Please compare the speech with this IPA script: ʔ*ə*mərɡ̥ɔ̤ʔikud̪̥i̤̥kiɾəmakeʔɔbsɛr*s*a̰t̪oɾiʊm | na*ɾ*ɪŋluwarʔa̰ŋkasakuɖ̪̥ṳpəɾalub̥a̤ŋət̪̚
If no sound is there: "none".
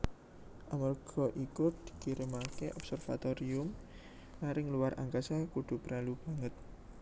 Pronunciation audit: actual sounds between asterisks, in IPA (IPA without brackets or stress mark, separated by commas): a, f, ɾ